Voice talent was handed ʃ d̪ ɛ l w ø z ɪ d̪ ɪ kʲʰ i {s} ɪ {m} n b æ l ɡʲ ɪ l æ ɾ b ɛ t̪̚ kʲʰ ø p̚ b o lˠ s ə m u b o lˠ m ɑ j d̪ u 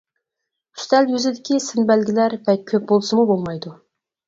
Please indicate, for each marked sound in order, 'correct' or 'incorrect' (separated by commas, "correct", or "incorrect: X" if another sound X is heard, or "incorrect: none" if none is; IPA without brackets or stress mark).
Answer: correct, incorrect: none